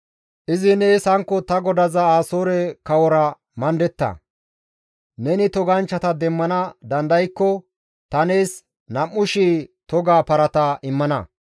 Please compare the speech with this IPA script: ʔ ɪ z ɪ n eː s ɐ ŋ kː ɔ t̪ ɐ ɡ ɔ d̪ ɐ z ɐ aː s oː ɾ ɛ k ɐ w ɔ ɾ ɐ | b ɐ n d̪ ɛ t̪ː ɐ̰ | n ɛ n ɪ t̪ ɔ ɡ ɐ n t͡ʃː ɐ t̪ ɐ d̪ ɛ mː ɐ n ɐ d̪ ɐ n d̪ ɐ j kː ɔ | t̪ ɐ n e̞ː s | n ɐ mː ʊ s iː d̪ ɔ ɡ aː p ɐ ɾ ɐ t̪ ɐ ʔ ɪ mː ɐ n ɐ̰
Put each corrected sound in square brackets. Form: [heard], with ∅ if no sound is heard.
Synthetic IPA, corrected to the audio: ʔ ɪ z ɪ n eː s ɐ ŋ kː ɔ t̪ ɐ ɡ ɔ d̪ ɐ z ɐ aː s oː ɾ ɛ k ɐ w ɔ ɾ ɐ | [m] ɐ n d̪ ɛ t̪ː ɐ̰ | n ɛ n ɪ t̪ ɔ ɡ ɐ n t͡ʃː ɐ t̪ ɐ d̪ ɛ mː ɐ n ɐ d̪ ɐ n d̪ ɐ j kː ɔ | t̪ ɐ n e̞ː s | n ɐ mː ʊ [ʃ] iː [t̪] ɔ ɡ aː p ɐ ɾ ɐ t̪ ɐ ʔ ɪ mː ɐ n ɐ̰